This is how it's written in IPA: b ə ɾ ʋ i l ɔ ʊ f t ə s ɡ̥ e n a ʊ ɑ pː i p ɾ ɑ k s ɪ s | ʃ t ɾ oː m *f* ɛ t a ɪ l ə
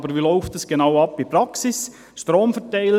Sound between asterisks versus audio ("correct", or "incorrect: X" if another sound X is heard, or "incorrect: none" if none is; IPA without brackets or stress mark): correct